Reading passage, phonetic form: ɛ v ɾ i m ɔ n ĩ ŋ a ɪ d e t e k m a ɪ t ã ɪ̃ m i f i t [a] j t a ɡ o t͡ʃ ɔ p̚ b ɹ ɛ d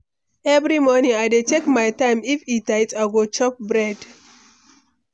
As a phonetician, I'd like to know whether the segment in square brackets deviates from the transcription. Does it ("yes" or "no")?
no